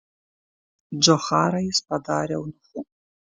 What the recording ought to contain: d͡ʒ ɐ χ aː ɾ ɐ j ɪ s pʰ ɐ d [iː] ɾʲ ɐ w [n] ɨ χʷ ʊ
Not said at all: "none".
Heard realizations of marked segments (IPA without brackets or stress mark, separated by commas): aː, n